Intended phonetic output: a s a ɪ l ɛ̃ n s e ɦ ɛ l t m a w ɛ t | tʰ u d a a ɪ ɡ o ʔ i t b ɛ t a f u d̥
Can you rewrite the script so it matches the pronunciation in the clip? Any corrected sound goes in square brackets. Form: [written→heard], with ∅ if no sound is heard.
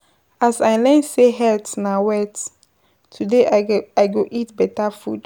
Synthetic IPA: a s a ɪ l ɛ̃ n s e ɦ ɛ l t [m→n] a w ɛ t | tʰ u d [a→e] a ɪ ɡ o ʔ i t b ɛ t a f u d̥